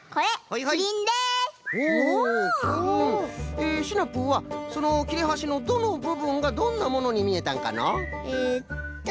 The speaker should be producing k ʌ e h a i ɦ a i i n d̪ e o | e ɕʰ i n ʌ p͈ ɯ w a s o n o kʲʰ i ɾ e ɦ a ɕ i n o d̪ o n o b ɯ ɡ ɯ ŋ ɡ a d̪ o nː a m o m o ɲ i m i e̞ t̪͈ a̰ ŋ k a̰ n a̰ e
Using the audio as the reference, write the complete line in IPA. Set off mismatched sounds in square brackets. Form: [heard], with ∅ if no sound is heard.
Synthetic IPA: k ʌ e h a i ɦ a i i n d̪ e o | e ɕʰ i n [a] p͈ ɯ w a s o n o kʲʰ i ɾ e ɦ a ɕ i n o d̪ o n o b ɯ [b] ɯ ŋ ɡ a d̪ o nː a m o [n] o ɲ i m i e̞ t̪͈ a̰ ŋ k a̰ n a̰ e